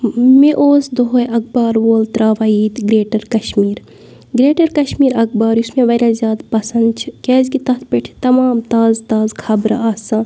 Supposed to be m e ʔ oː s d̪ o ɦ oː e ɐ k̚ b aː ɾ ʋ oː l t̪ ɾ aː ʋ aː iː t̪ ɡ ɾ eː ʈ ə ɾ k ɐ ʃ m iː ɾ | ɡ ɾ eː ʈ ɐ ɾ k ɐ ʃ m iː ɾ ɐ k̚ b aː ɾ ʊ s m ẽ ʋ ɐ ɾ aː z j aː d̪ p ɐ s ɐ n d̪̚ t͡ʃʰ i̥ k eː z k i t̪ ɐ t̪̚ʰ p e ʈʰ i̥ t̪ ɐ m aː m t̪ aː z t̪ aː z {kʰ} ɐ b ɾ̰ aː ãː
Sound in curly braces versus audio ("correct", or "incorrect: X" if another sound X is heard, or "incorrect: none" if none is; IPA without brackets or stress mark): correct